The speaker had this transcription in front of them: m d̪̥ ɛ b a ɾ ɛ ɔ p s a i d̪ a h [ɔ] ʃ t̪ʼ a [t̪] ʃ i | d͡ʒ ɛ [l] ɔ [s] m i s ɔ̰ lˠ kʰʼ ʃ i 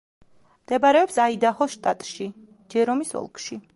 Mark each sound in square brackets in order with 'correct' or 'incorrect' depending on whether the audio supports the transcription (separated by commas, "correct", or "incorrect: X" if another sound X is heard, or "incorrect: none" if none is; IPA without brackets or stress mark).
correct, incorrect: t̪ʼ, incorrect: ɾ, incorrect: none